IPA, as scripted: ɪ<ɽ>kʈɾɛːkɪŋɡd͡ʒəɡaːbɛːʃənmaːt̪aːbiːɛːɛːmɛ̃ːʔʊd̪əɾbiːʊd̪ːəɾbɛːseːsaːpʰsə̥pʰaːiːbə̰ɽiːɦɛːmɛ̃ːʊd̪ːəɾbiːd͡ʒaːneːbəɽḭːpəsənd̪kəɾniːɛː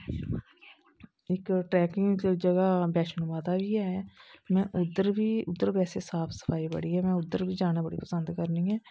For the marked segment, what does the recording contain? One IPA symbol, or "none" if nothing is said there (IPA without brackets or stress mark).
none